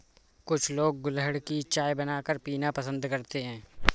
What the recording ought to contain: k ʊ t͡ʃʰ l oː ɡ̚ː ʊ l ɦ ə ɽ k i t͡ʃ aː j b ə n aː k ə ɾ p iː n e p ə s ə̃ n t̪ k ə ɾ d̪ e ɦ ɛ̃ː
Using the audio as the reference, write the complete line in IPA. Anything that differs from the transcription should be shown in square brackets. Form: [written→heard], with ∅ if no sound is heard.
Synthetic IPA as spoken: k ʊ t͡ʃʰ l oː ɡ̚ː ʊ l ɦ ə ɽ k i t͡ʃ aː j b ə n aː k ə ɾ p iː n [e→a] p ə s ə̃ n [t̪→d̪] k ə ɾ [d̪→t̪] e ɦ ɛ̃ː